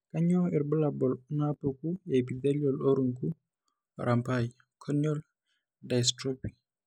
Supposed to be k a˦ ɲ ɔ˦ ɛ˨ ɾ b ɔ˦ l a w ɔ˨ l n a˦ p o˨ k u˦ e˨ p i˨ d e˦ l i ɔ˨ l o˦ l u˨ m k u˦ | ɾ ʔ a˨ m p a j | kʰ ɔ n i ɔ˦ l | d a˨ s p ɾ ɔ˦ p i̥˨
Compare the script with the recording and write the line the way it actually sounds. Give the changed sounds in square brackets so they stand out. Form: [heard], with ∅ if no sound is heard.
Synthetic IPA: k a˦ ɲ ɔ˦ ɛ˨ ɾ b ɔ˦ l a [b] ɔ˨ l n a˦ p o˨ k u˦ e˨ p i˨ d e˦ l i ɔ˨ l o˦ [ɾ] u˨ [ŋ] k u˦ | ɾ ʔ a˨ m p a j | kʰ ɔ n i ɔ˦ l | d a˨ s [t] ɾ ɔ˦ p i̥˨